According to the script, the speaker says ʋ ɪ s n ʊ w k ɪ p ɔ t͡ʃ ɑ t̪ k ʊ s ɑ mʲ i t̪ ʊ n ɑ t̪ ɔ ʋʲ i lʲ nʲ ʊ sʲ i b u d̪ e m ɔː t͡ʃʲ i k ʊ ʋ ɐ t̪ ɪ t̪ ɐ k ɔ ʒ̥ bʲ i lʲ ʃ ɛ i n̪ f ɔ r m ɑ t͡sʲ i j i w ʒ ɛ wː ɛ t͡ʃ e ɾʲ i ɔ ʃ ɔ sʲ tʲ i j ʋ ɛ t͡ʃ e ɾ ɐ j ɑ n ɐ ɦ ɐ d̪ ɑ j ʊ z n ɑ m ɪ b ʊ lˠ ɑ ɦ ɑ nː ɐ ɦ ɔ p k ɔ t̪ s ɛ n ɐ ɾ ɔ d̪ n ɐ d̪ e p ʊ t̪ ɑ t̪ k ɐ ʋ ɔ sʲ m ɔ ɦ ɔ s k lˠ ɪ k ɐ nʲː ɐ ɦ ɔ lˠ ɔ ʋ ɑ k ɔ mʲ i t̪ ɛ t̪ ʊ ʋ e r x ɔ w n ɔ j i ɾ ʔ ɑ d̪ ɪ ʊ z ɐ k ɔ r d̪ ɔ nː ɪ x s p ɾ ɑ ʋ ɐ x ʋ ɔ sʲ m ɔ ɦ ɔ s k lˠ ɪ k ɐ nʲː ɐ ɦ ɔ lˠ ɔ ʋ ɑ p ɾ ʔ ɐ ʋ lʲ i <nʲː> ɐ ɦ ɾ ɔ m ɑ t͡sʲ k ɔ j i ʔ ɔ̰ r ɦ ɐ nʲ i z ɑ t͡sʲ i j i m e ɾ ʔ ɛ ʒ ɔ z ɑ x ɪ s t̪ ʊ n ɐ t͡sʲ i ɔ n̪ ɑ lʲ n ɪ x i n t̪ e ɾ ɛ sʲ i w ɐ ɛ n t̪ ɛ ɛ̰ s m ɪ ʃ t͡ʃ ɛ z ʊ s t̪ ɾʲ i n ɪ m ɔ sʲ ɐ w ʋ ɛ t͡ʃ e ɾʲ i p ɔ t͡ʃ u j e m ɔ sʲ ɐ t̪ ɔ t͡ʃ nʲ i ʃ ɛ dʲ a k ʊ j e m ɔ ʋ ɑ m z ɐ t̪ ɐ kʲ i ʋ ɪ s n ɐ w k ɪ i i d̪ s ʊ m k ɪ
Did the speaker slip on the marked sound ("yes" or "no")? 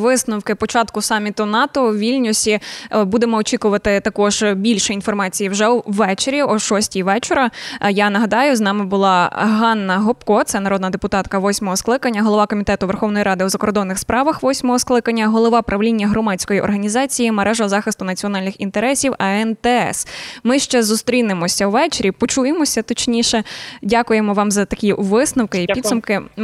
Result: no